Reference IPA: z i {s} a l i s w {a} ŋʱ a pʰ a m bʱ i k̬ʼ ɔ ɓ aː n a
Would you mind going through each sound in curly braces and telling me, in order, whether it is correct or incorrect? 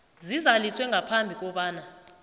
incorrect: z, incorrect: ɛ

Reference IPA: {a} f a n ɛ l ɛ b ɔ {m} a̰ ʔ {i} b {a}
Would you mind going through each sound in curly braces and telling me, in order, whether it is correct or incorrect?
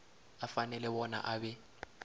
correct, incorrect: n, incorrect: a, incorrect: ɛ

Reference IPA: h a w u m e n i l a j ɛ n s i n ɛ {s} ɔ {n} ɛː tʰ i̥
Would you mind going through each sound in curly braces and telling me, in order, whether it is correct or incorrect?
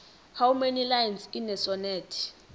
correct, correct

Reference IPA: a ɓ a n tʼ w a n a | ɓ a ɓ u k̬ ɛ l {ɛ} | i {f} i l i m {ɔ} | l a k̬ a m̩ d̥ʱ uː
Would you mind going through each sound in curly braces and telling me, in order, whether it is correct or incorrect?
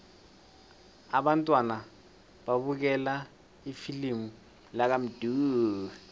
incorrect: a, correct, incorrect: u

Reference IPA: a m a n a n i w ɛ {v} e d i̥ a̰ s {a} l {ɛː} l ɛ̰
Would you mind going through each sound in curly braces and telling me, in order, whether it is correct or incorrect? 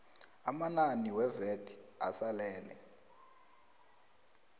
correct, correct, correct

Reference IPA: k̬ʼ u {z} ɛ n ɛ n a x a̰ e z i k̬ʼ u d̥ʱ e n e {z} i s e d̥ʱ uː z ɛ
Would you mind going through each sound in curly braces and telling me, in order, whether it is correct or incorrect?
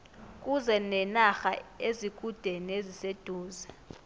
correct, correct

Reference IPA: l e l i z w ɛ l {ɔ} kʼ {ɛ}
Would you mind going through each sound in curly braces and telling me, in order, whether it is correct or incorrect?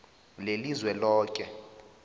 incorrect: ɔː, correct

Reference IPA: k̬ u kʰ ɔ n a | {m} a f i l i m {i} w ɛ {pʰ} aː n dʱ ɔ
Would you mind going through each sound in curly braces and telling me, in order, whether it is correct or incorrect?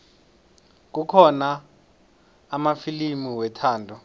correct, correct, incorrect: tʰ

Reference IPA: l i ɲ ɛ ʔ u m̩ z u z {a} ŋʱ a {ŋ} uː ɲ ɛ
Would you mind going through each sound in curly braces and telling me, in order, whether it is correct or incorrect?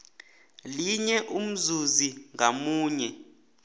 incorrect: i, incorrect: m

